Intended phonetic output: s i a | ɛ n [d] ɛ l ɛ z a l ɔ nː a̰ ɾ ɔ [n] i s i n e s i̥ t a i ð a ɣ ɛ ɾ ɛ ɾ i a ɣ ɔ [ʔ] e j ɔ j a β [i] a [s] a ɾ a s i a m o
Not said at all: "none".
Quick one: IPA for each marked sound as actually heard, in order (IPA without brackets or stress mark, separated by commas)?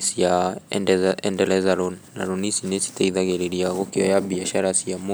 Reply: d, n, k, i, ʃ